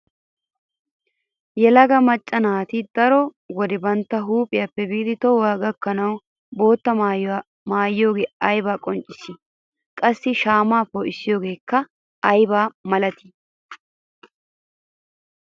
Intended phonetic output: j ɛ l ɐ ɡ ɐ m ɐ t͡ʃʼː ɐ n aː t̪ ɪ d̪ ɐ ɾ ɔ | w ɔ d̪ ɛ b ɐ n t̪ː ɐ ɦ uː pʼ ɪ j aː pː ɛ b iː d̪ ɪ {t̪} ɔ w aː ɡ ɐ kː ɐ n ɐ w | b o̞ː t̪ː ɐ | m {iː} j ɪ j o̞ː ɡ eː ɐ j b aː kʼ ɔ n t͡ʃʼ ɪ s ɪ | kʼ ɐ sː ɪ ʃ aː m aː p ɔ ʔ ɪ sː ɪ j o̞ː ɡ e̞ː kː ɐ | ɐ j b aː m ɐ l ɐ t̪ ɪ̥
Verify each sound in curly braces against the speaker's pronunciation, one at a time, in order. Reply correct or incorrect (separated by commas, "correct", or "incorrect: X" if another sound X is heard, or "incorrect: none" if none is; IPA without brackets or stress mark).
correct, incorrect: aː